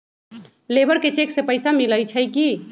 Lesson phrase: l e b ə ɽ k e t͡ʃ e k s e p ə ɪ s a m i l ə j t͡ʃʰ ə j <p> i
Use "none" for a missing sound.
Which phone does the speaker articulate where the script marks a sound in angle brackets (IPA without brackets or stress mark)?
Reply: k